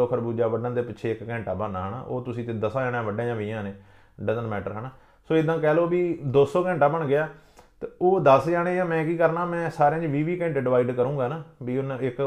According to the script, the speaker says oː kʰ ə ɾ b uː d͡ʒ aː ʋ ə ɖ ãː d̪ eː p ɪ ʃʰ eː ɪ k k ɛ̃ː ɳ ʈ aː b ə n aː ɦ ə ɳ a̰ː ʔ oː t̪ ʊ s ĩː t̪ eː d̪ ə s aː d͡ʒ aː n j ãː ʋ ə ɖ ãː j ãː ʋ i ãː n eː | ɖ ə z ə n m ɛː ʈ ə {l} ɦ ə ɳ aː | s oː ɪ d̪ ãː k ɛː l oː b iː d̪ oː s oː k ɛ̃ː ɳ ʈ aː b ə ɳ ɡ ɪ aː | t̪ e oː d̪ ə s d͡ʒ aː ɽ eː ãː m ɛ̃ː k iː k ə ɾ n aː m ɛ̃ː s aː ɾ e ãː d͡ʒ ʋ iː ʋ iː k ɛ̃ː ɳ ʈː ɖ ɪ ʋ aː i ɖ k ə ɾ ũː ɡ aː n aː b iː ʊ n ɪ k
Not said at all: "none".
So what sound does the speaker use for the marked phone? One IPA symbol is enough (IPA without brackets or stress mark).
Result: ɾ